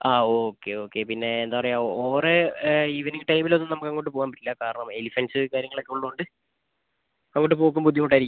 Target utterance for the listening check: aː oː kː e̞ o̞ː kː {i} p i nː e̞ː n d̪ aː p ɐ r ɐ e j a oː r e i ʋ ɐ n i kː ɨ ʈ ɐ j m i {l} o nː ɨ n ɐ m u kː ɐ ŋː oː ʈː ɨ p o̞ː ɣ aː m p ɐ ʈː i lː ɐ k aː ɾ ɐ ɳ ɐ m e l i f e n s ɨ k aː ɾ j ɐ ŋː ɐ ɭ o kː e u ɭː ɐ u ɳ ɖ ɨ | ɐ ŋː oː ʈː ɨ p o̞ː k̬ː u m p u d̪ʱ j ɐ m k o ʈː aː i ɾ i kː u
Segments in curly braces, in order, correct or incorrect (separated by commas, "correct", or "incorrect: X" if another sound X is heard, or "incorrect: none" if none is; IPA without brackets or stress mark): incorrect: e, correct